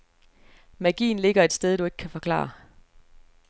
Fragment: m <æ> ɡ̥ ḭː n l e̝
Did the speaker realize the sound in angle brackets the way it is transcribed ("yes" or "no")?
yes